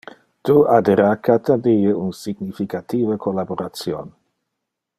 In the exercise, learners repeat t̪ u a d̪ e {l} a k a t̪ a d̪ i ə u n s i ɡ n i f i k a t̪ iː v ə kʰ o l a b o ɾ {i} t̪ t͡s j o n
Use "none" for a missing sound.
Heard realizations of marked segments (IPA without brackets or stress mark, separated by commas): ɾ, a